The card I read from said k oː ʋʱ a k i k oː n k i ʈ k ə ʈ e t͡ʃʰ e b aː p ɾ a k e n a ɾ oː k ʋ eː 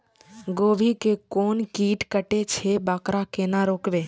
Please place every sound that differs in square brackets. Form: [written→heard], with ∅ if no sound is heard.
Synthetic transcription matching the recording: [k→ɡ] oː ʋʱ [a→i] k [i→e] k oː n k [i→iː] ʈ k ə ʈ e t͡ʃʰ e b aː [p→k] ɾ a k e n a ɾ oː k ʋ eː